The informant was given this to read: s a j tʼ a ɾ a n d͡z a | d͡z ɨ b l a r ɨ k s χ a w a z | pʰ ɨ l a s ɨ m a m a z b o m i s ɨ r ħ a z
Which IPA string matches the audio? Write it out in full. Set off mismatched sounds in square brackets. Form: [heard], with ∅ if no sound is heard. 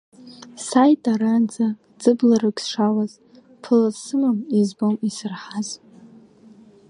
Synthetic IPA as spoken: s a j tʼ a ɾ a n d͡z a | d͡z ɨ b l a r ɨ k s [ʂ] a w a z | pʰ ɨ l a s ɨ m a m [i] z b o m i s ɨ r ħ a z

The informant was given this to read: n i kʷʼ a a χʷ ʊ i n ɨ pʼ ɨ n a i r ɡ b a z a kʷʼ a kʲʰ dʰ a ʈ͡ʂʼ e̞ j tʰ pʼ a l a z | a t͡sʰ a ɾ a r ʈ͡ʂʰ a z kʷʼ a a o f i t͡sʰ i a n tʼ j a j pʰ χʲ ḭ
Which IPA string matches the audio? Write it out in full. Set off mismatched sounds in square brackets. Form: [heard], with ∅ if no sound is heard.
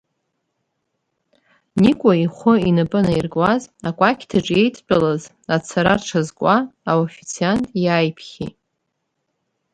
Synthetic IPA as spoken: n i kʷʼ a [i] χʷ ʊ i n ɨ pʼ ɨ n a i r ɡ [w] a z a kʷʼ a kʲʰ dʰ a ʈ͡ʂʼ e̞ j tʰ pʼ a l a z | a t͡sʰ a ɾ a r ʈ͡ʂʰ a z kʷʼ a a o f i t͡sʰ i a n tʼ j a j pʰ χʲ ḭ

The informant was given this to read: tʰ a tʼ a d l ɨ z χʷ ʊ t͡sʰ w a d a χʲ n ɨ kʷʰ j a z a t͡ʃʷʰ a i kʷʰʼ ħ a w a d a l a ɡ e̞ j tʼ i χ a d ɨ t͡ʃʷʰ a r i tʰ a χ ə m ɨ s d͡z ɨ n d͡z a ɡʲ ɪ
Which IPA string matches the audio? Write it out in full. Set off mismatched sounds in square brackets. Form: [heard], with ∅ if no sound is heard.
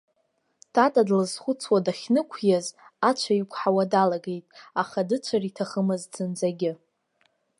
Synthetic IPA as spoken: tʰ a tʼ a d l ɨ z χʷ ʊ t͡sʰ w a d a χʲ n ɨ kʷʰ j a z a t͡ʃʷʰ a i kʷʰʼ ħ a w a d a l a ɡ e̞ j tʼ [a] χ a d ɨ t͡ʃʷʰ a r i tʰ a χ ə m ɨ [z] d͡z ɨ n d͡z a ɡʲ ɪ

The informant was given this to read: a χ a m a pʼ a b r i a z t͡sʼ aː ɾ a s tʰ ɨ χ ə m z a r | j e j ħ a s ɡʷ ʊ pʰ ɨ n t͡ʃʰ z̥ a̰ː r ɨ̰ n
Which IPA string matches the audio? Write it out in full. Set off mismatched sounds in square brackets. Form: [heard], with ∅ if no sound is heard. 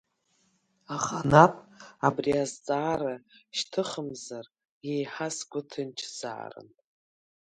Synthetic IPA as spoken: a χ a [n] a pʼ a b r i a z t͡sʼ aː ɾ a [ʃ] tʰ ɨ χ ə m z a r | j e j ħ a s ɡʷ ʊ [tʰ] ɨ n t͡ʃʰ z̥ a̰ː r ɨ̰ n

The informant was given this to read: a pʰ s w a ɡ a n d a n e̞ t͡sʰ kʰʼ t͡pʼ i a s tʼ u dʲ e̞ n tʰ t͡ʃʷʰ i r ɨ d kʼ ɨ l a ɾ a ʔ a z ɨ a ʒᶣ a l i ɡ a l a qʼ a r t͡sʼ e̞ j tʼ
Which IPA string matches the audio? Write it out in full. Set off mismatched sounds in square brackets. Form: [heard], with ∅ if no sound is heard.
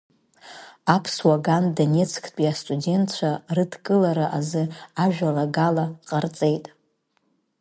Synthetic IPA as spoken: a pʰ s w a ɡ a n d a n e̞ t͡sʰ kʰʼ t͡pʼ i a s tʼ u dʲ e̞ n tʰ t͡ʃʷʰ [a] r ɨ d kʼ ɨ l a ɾ a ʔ a z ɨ a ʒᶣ a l [a] ɡ a l a qʼ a r t͡sʼ e̞ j tʼ

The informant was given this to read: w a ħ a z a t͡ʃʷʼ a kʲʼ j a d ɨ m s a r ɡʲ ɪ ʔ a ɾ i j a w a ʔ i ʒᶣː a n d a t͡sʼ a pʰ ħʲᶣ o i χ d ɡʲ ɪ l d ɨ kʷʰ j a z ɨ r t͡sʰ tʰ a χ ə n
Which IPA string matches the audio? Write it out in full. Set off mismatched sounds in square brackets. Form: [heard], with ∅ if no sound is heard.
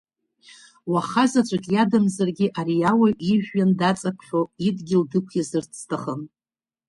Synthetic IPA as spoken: w a [χ] a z a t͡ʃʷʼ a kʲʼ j a d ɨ m [z] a r ɡʲ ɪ ʔ a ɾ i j a w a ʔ i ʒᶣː a n d a t͡sʼ a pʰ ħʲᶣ o i [∅] d ɡʲ ɪ l d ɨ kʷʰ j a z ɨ r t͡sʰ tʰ a χ ə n

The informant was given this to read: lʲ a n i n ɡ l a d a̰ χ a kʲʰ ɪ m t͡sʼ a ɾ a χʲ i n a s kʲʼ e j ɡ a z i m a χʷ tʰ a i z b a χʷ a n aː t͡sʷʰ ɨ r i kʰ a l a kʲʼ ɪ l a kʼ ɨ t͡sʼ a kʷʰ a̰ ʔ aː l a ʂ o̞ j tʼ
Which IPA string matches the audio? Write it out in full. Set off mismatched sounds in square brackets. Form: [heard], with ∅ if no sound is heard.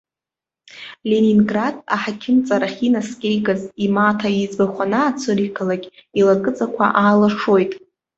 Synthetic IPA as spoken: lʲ [e] n i n ɡ [r] a d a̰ [ħ] a kʲʰ ɪ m t͡sʼ a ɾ a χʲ i n a s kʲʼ e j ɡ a z i m a [∅] tʰ a i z b a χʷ a n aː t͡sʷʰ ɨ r i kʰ a l a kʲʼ [i] l a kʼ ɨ t͡sʼ a kʷʰ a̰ ʔ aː l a ʂ o̞ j tʼ

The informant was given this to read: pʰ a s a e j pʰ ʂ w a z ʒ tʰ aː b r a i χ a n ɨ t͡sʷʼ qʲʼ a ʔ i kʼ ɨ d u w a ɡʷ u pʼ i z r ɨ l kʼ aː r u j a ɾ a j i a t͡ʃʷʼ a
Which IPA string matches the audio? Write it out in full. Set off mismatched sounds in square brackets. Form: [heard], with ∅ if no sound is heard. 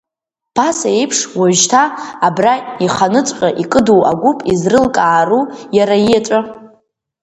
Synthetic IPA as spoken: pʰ a s a e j pʰ ʂ w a [∅] ʒ tʰ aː b r a i χ a n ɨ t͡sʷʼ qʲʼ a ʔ i kʼ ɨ d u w a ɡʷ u pʼ i z r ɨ l kʼ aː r u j a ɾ a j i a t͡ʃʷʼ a

